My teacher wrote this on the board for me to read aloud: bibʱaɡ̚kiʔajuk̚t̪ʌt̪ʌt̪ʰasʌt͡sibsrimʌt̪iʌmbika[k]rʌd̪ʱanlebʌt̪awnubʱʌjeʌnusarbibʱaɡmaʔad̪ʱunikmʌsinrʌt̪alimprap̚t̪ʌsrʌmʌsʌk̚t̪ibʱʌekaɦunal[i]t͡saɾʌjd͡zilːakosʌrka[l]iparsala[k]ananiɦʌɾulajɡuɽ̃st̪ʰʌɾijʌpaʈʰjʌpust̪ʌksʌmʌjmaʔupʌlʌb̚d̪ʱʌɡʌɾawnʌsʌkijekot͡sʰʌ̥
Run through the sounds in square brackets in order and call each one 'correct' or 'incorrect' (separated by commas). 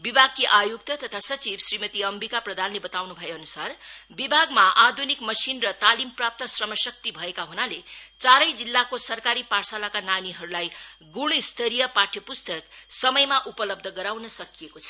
incorrect, incorrect, incorrect, correct